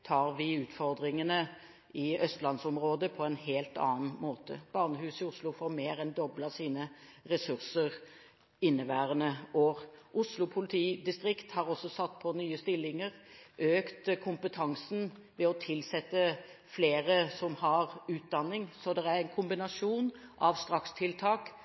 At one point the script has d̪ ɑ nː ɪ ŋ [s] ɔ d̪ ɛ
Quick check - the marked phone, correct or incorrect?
correct